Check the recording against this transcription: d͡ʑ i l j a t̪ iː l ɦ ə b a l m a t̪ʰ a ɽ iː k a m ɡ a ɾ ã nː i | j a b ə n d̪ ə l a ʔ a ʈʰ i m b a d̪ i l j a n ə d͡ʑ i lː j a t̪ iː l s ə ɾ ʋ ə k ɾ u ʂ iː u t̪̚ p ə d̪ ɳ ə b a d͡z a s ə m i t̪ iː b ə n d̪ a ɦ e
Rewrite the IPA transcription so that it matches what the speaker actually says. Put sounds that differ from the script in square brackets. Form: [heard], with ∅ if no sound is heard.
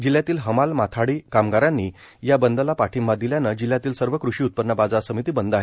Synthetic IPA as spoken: d͡ʑ i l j a t̪ iː l ɦ ə [m] a l m a t̪ʰ a ɽ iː k a m ɡ a ɾ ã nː i | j a b ə n d̪ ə l a [p] a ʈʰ i m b a d̪ i l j a n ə d͡ʑ i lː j a t̪ iː l s ə ɾ ʋ ə k ɾ u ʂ iː u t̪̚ p ə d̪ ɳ ə b a d͡z a s ə m i t̪ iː b ə n d̪ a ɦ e